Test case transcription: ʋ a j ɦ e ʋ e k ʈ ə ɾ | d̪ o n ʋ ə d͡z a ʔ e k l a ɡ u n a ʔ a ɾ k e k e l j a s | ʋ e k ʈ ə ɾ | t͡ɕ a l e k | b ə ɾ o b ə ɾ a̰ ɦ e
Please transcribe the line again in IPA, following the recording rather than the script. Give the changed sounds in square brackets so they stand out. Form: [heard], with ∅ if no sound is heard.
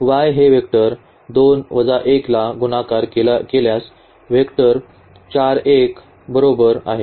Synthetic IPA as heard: ʋ a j ɦ e ʋ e k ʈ ə ɾ | d̪ o n ʋ ə d͡z a ʔ e k l a ɡ u n a [k] a ɾ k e k e l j a s | ʋ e k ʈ ə ɾ | t͡ɕ a [ɾ] e k | b ə ɾ o b ə ɾ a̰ ɦ e